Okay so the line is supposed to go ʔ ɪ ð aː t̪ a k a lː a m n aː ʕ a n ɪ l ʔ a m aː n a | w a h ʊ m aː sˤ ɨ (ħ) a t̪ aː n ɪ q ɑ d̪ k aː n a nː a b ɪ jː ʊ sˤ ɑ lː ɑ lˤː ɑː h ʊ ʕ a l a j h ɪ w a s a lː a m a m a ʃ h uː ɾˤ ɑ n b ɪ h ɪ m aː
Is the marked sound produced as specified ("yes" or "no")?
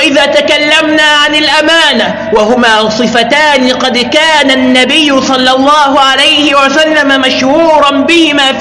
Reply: no